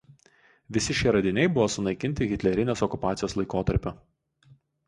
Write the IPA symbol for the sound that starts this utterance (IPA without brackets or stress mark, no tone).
ʋʲ